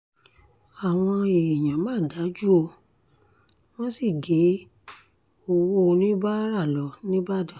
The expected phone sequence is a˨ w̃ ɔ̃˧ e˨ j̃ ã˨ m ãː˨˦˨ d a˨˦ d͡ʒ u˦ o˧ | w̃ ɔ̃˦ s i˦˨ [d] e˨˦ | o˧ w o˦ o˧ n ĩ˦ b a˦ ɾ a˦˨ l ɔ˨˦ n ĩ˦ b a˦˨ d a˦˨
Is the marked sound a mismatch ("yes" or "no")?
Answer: yes